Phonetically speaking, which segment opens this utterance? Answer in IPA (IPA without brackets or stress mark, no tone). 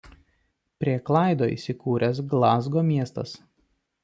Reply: pʲ